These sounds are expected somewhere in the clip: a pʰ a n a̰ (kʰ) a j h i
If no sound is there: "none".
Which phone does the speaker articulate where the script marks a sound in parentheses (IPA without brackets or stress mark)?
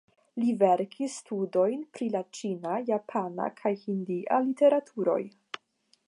kʰ